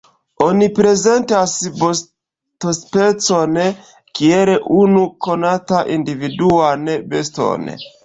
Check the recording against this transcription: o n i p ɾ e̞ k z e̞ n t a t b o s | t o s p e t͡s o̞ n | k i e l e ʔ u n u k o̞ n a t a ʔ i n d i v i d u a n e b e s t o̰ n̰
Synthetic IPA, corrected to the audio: o n i p ɾ e̞ z e̞ n t a s b o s | t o s p e t͡s o̞ n | k i e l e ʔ u n u k o̞ n a t a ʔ i n d i v i d u a n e b e s t o̰ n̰